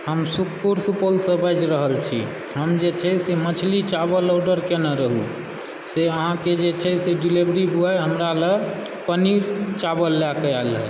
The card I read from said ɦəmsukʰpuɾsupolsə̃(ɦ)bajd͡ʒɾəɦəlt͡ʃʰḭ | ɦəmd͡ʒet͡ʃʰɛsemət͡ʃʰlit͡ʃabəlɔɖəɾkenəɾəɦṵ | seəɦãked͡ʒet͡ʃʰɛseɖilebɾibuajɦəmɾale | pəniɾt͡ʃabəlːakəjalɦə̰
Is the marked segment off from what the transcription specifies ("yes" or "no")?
yes